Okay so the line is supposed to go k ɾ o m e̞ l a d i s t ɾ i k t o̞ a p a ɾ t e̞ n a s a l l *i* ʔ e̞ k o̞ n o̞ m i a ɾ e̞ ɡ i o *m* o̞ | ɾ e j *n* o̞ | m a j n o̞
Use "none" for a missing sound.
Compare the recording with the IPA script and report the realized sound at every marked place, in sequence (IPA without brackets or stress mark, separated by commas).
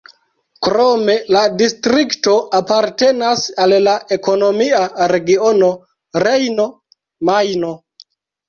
a, n, n